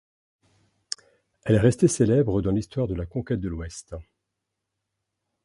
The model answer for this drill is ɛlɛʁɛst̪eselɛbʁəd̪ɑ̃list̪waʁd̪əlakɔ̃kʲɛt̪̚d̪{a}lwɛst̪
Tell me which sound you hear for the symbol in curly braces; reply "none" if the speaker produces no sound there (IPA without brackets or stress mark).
ə